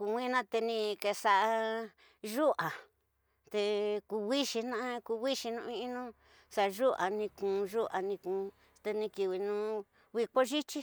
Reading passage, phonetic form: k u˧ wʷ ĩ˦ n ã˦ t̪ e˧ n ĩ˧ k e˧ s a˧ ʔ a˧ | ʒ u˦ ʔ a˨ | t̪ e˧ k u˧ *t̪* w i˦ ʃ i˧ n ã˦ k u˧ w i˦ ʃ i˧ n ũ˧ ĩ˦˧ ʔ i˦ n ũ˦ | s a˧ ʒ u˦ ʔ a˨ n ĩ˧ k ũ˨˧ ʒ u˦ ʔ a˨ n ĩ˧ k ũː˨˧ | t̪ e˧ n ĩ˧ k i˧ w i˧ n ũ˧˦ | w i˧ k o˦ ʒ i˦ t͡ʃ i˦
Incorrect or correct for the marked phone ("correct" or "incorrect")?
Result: incorrect